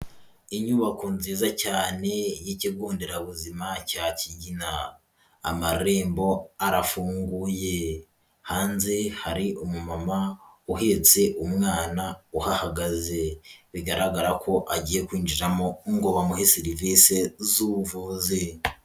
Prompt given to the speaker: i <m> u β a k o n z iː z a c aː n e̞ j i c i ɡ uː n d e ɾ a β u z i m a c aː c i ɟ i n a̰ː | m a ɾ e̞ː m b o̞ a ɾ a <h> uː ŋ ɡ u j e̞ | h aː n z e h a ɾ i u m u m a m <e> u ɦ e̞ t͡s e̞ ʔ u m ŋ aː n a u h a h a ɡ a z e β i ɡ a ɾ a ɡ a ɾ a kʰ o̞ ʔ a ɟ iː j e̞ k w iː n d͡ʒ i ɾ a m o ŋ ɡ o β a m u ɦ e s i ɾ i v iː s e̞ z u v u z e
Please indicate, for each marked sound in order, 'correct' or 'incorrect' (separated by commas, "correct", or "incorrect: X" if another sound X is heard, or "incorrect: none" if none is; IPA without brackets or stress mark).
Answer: incorrect: ɲ, incorrect: f, incorrect: a